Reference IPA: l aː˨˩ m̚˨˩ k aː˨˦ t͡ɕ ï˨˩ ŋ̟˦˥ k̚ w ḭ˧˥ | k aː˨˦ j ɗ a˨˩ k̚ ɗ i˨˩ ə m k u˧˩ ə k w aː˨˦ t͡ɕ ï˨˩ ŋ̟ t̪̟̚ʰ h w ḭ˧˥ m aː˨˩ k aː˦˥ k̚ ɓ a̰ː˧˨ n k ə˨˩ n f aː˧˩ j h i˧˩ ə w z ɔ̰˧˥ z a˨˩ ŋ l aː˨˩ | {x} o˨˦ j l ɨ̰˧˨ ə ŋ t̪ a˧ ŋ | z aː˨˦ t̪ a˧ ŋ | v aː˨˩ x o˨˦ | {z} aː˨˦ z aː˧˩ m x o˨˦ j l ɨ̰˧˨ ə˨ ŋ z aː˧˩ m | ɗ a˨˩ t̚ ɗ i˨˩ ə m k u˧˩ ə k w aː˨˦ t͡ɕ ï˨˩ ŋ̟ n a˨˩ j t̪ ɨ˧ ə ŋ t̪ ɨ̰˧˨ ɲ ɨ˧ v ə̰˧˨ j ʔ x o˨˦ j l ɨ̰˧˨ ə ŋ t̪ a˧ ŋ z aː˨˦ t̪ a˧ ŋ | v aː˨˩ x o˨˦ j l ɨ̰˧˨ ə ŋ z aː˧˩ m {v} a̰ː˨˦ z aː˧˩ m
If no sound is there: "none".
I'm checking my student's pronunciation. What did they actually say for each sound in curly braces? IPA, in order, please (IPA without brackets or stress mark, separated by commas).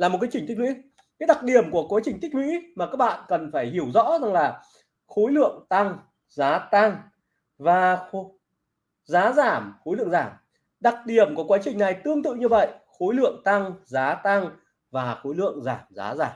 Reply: x, z, z